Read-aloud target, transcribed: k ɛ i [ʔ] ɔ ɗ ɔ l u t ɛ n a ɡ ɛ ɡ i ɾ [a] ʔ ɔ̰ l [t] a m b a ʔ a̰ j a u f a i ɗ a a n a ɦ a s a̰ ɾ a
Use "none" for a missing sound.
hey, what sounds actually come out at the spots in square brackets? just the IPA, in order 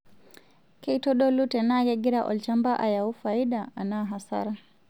t, a, t͡ʃ

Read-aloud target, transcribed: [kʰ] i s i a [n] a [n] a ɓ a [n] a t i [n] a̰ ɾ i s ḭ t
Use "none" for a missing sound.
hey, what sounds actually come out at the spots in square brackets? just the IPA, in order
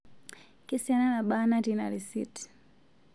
k, n, n, n, n

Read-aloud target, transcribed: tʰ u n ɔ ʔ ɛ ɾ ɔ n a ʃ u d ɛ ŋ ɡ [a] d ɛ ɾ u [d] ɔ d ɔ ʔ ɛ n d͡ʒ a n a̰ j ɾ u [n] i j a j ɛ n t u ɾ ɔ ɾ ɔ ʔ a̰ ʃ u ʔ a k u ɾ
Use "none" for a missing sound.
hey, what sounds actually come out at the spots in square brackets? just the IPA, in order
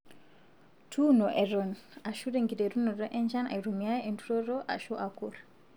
i, n, m

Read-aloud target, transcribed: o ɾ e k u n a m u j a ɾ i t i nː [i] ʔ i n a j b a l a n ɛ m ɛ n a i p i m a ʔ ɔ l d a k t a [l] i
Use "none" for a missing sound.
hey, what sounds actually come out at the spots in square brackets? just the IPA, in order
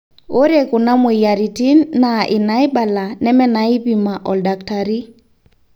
a, ɾ

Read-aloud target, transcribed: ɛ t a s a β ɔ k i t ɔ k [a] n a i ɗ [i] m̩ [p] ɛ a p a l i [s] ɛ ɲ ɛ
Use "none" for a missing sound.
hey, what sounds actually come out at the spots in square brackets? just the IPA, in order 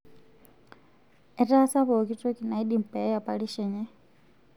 i, i, p, ʃ

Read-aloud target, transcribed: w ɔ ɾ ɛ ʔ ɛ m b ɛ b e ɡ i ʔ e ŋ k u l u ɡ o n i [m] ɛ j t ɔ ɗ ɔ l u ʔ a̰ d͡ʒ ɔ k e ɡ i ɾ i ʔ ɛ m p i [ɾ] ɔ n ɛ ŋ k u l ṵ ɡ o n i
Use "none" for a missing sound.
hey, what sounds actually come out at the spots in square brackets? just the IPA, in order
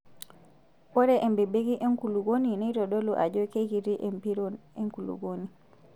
n, ɾ

